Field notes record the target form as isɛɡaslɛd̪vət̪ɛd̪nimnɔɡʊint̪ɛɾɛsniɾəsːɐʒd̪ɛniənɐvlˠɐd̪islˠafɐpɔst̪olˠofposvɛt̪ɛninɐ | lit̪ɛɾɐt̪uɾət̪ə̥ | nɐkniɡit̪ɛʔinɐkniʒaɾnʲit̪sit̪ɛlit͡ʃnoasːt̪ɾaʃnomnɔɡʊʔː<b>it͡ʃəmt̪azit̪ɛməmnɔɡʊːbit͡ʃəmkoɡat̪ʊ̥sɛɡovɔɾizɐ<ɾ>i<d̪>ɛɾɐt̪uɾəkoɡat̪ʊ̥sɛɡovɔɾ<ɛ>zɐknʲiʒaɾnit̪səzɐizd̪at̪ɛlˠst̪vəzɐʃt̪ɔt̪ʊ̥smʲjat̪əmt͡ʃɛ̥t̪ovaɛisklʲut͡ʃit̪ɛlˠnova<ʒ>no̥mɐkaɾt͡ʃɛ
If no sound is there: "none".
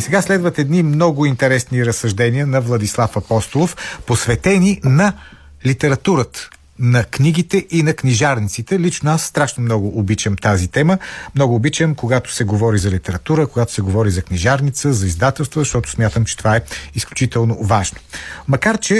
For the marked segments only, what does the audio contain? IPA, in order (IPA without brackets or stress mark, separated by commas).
b, l, t̪, i, ʒ